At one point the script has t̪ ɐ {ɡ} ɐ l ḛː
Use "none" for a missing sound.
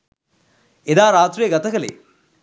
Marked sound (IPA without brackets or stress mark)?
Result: k